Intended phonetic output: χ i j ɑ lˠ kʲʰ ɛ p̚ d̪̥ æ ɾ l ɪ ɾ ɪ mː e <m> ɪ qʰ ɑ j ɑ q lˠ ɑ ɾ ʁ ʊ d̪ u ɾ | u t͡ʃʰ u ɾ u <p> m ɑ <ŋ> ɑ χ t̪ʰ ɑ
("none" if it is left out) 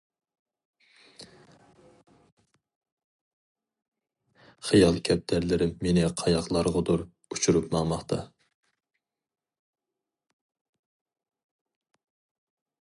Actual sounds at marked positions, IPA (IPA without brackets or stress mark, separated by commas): n, p, m